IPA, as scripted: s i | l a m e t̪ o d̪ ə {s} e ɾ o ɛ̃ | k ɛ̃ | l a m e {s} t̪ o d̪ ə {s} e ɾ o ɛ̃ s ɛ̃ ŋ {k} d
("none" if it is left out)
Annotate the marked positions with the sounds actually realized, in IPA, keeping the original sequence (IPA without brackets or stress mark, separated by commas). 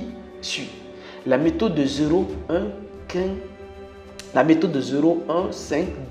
z, none, z, k